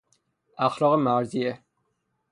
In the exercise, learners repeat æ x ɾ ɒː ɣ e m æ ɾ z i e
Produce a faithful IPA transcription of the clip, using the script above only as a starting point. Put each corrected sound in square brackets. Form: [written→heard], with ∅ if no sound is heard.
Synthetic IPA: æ x [ɾ→l] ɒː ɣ e m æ ɾ z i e